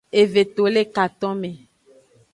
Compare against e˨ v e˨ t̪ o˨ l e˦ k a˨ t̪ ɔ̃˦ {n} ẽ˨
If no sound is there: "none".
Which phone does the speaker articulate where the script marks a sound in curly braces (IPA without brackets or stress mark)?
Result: m